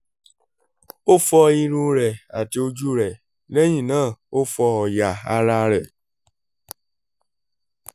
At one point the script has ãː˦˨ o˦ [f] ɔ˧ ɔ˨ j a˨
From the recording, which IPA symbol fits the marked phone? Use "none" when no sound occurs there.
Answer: f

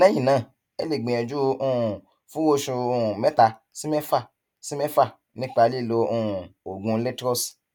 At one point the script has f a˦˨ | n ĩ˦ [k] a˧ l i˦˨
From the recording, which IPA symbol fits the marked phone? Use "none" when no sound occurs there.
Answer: k͡p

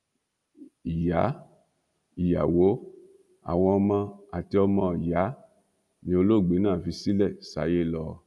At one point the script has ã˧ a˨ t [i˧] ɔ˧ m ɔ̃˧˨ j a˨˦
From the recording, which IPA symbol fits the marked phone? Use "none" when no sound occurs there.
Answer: i˧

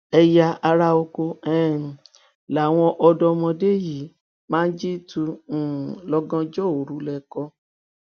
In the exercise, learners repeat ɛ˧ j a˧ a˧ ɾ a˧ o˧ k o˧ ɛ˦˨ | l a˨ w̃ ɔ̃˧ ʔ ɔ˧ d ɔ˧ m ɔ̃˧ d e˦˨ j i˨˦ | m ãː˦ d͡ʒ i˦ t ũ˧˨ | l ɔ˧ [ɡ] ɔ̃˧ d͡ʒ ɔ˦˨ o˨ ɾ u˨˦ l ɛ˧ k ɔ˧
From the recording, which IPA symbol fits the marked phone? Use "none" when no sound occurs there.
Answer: ɡ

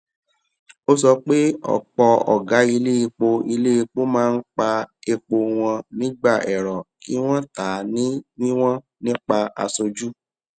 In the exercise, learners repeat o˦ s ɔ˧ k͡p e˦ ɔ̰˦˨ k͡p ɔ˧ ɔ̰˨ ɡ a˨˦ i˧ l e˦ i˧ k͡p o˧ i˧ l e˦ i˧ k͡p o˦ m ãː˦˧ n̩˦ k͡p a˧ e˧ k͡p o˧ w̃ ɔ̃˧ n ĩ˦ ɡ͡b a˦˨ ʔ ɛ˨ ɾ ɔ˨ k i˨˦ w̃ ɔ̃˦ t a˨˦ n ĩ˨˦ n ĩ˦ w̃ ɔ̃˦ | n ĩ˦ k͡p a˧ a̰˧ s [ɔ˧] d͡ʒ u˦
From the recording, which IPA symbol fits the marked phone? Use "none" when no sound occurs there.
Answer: o˧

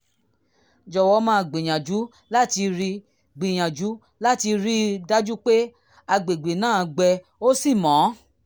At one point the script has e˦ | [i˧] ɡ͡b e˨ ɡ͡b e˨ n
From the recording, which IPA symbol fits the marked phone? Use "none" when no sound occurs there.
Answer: a˧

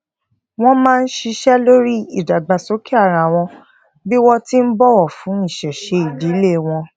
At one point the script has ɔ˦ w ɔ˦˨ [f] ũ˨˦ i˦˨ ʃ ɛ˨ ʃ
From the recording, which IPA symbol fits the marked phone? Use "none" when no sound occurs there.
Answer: f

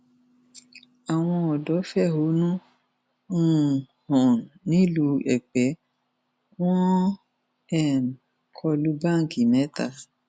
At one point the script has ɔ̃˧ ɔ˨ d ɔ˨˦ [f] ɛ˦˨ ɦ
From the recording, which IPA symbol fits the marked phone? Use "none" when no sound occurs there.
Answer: f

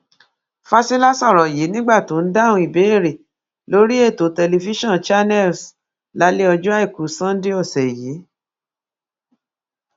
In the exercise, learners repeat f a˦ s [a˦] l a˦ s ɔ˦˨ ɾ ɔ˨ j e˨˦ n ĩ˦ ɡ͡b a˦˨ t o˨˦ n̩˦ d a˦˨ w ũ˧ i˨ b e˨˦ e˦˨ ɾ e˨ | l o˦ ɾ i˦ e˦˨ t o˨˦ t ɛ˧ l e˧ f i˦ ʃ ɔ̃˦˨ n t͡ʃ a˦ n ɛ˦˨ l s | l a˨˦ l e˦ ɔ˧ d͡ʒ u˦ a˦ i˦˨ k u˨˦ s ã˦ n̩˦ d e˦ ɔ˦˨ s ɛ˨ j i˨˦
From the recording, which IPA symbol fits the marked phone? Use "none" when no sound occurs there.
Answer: i˦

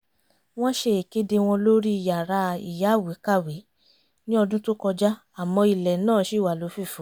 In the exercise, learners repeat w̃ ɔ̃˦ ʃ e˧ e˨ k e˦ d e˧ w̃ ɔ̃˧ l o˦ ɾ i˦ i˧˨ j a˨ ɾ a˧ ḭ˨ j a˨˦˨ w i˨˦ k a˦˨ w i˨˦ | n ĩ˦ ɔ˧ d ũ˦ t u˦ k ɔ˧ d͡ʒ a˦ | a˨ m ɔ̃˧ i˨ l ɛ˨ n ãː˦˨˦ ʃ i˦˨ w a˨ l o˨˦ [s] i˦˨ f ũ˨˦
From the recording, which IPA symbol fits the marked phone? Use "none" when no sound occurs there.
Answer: f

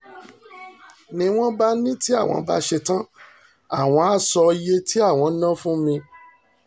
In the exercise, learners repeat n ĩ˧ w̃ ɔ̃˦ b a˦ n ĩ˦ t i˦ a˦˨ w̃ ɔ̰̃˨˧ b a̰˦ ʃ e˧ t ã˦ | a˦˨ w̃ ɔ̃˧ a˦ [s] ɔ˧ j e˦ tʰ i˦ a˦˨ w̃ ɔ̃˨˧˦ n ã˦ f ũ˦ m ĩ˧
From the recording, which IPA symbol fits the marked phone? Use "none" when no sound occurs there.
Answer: s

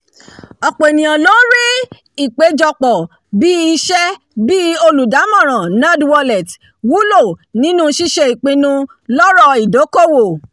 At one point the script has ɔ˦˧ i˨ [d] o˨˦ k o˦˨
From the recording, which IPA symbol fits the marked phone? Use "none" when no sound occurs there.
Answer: d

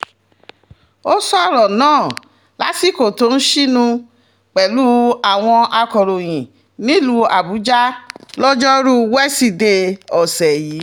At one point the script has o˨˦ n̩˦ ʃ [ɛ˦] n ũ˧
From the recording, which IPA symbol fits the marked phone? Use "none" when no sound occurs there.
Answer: i˦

